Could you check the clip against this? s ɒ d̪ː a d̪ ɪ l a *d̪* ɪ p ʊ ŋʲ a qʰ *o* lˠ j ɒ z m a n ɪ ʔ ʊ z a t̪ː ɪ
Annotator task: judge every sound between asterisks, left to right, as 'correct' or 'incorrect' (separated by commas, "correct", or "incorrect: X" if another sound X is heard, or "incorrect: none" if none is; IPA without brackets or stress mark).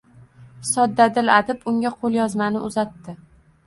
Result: correct, correct